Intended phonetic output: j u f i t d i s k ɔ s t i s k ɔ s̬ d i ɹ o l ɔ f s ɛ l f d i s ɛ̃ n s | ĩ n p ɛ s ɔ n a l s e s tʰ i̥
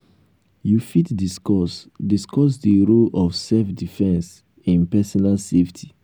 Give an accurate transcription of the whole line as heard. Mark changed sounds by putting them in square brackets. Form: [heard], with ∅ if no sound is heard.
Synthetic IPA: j u f i t d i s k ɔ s [d] i s k ɔ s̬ d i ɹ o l ɔ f s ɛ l f d i [f] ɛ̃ n s | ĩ n p ɛ s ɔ n a l s e [f] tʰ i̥